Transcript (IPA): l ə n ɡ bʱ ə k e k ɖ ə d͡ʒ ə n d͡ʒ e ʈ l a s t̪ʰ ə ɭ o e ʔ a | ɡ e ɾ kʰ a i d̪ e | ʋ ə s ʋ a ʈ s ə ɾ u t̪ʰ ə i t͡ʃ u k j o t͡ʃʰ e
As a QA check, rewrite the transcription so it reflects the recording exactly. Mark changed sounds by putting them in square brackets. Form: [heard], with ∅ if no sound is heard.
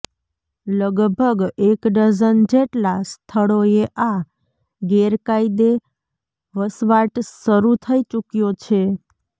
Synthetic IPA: l ə [∅] ɡ bʱ ə [ɡ] e k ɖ ə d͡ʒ ə n d͡ʒ e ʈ l a s t̪ʰ ə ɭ o e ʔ a | ɡ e ɾ [k] a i d̪ e | ʋ ə s ʋ a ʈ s ə ɾ u t̪ʰ ə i t͡ʃ u k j o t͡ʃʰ e

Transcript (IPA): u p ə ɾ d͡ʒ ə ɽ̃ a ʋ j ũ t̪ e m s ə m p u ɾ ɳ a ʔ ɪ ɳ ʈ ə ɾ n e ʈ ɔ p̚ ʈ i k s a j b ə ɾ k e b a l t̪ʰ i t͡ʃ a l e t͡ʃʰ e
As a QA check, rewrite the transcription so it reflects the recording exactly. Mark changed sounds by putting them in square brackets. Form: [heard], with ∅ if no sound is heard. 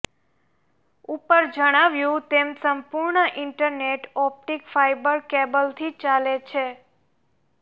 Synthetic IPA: u p ə ɾ d͡ʒ ə ɽ̃ a ʋ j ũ t̪ e m s ə m p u ɾ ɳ [ə] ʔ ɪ ɳ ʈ ə ɾ n e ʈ ɔ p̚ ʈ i k [f] a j b ə ɾ k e b [ə] l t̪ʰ i t͡ʃ a l e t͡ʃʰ e

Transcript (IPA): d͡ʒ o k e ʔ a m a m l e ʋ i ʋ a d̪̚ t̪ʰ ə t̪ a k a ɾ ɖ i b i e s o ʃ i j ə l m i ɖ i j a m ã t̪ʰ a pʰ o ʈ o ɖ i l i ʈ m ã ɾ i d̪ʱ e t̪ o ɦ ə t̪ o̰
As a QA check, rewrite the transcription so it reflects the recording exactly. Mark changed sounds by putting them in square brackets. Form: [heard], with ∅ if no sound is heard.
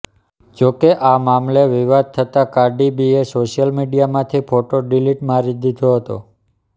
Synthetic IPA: d͡ʒ o k e ʔ a m a m l e ʋ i ʋ a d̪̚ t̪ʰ ə t̪ a k a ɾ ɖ i b i e s o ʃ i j ə l m i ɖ i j a m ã t̪ʰ [i] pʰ o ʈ o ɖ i l i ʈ m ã ɾ i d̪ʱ [i] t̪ o ɦ ə t̪ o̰

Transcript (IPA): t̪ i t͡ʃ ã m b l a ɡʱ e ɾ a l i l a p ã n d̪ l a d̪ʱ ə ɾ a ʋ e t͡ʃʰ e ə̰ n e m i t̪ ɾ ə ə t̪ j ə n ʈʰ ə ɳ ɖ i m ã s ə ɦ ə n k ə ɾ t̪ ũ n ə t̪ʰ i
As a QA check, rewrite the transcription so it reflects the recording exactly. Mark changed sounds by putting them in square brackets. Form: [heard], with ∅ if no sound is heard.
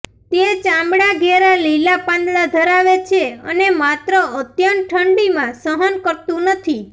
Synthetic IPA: t̪ [e] t͡ʃ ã m b [ɽ] a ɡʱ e ɾ a l i l a p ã n d̪ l a d̪ʱ ə ɾ a ʋ e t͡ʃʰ e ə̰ n e m [a] t̪ ɾ ə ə t̪ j ə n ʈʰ ə ɳ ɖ i m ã s ə ɦ ə n k ə ɾ t̪ ũ n ə t̪ʰ i

